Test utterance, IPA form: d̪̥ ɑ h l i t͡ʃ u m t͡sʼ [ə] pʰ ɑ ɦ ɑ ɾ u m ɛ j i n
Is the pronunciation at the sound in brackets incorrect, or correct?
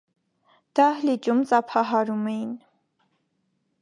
incorrect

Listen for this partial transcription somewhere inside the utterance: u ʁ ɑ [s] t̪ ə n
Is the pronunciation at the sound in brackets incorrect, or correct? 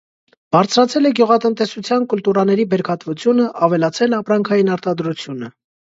incorrect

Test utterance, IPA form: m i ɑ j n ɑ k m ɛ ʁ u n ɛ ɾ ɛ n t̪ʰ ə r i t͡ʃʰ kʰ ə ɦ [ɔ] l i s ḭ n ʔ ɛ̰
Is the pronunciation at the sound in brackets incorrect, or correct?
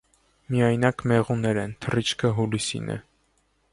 incorrect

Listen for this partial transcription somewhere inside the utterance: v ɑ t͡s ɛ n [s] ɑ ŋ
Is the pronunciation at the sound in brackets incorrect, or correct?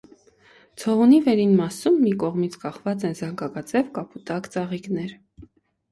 incorrect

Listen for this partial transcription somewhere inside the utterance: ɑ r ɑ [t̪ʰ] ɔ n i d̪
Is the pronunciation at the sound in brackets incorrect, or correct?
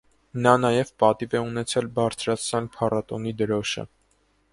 incorrect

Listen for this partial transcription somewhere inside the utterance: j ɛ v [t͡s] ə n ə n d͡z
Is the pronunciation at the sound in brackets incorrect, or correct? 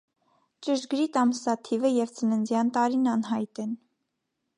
correct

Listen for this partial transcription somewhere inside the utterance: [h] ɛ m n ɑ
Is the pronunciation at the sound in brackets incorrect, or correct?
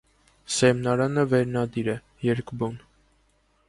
incorrect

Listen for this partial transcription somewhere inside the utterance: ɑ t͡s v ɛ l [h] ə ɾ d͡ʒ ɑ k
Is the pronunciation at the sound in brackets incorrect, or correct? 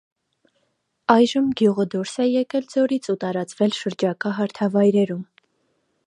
incorrect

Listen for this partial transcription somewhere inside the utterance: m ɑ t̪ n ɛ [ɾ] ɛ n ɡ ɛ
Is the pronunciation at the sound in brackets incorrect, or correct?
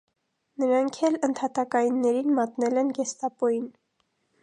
incorrect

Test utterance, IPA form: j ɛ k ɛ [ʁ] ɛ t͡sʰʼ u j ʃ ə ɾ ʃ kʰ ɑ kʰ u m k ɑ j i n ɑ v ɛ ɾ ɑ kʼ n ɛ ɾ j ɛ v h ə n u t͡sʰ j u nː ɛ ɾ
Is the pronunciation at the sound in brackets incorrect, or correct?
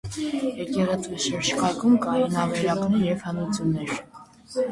correct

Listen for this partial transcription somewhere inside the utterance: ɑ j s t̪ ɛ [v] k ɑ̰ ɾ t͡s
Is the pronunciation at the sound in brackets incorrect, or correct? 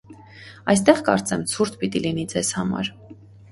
incorrect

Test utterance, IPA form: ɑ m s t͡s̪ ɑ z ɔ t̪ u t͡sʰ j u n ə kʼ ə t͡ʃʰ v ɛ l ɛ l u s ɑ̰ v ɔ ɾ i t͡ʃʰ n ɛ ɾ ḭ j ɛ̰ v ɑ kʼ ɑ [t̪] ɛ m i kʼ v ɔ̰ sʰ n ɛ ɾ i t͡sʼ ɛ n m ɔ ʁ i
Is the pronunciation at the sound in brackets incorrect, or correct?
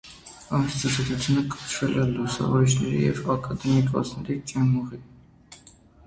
incorrect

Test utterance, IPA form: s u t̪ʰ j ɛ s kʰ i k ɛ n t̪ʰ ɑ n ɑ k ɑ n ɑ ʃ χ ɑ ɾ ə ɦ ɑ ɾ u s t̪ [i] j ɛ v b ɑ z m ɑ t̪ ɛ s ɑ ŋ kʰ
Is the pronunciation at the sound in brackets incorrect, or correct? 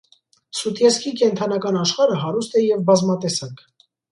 incorrect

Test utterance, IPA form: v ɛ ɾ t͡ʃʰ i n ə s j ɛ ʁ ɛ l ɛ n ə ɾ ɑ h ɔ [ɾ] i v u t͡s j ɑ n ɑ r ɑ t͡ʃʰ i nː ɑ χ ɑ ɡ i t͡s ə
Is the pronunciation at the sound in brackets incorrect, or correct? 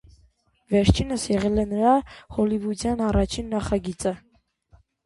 incorrect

